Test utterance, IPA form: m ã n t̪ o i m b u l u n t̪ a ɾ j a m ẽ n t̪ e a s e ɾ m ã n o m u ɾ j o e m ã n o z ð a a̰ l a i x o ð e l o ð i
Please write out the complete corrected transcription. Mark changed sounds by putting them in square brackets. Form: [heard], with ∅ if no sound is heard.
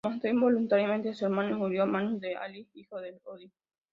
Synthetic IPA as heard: m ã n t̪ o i m b [o] l u n t̪ a ɾ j a m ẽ n t̪ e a s e ɾ m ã n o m u ɾ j o [a] m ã n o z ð [e] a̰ l [i] i x o ð e l o ð i